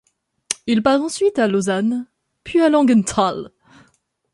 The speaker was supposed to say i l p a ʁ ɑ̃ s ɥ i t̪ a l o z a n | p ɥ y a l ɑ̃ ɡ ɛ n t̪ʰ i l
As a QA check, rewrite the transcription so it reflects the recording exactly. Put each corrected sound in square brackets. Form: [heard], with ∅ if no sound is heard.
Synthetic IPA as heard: i l p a ʁ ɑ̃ s ɥ i t̪ a l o z a n | p ɥ [i] a l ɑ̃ ɡ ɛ n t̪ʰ [a] l